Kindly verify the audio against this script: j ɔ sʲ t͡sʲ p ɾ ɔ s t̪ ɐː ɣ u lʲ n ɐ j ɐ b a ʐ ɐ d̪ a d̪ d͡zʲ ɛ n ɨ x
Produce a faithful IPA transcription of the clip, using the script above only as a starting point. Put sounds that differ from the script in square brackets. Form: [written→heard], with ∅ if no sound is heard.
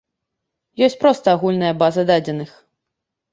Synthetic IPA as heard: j ɔ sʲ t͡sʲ p ɾ ɔ s t̪ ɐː ɣ u lʲ n ɐ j ɐ b a [ʐ→z] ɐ d̪ a [d̪→∅] d͡zʲ ɛ n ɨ x